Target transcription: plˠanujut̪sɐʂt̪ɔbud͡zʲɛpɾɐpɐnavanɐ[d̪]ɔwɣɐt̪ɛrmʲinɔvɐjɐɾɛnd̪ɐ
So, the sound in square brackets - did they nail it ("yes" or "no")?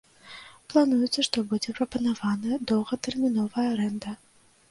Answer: yes